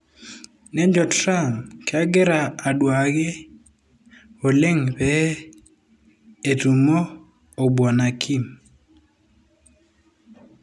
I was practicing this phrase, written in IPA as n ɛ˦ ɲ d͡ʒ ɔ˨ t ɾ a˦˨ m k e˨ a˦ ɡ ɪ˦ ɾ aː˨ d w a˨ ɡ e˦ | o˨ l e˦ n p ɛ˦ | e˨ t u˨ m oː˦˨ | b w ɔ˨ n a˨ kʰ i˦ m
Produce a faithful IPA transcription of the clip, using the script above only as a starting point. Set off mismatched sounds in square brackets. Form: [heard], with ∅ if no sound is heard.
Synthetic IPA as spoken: n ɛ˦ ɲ d͡ʒ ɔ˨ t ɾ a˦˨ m k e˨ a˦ ɡ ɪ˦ ɾ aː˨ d w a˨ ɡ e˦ | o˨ l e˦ [ŋ] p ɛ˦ | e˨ t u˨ m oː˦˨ | b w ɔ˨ n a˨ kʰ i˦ m